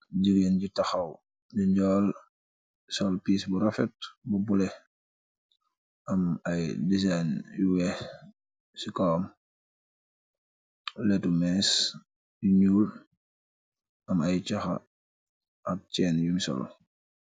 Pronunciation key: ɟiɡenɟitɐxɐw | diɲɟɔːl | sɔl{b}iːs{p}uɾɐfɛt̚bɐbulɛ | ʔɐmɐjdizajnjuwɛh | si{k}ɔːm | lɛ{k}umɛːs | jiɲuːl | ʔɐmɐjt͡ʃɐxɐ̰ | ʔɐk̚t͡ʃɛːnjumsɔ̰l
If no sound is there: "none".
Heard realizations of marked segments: p, b, k, t

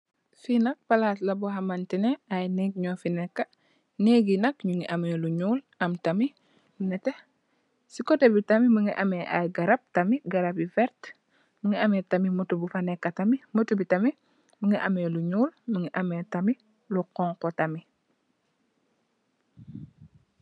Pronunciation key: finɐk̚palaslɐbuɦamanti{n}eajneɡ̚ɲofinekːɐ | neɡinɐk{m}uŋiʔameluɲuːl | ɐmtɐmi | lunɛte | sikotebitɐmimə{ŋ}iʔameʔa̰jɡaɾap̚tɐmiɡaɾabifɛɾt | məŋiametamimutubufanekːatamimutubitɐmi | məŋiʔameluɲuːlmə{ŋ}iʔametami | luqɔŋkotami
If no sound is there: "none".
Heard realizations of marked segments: n, ɲ, ŋ, ŋ

